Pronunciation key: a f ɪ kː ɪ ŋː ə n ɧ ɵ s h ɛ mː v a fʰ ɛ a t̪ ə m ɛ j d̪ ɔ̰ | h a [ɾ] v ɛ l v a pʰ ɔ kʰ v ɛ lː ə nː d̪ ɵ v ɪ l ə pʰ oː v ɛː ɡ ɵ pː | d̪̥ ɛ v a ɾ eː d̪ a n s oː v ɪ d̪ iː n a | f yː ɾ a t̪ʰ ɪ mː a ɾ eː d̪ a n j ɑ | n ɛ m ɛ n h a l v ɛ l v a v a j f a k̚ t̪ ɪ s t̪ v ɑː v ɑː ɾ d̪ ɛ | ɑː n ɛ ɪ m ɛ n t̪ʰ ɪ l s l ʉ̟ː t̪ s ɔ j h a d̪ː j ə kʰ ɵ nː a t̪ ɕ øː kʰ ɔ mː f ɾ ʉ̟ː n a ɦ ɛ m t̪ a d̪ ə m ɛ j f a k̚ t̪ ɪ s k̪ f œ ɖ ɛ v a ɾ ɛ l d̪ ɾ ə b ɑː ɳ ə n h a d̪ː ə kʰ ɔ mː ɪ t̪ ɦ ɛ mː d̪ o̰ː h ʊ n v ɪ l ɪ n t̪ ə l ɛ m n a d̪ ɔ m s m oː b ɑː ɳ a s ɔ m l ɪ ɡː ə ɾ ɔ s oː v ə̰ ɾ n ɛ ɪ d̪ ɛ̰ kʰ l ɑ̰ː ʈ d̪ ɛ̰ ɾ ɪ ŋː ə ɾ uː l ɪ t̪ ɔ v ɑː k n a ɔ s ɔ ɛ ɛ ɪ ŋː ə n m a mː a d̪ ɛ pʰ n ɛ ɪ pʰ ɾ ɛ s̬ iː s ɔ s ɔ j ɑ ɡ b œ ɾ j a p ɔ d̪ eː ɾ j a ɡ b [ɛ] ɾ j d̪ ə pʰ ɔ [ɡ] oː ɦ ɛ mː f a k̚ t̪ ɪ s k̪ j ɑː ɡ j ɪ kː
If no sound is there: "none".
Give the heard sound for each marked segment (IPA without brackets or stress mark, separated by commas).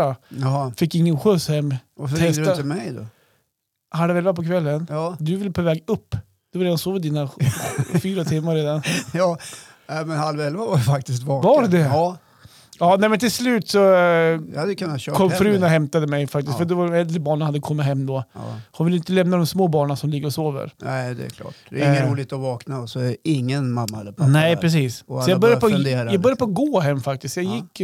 l, œ, ɡ